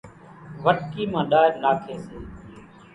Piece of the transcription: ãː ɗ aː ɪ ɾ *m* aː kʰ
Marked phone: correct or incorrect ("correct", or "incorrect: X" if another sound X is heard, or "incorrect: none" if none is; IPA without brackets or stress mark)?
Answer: incorrect: n